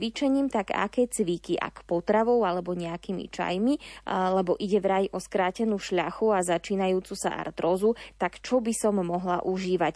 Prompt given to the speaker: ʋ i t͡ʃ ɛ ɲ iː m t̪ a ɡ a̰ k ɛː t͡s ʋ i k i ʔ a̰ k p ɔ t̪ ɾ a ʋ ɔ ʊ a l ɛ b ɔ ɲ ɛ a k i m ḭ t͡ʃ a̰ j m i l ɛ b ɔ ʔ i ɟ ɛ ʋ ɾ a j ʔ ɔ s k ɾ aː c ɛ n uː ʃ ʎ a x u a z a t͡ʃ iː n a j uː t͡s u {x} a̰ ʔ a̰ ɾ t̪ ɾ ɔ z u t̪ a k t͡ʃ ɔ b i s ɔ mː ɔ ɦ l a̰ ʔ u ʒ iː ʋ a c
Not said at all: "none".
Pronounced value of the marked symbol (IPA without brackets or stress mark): s